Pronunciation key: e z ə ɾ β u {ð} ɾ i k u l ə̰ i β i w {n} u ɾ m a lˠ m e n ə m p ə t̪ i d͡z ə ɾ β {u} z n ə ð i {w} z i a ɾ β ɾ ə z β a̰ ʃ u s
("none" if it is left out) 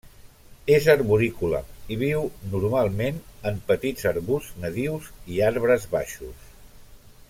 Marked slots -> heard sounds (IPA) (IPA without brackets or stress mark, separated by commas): none, n, u, w